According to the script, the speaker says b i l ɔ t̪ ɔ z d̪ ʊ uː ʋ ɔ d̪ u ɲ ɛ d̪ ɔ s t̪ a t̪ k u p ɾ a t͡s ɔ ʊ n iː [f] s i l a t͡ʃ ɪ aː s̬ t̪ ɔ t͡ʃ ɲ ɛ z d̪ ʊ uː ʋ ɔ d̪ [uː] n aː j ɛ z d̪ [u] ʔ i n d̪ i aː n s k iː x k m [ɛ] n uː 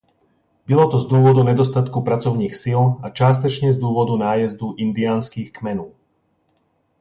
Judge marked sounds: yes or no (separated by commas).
no, no, yes, yes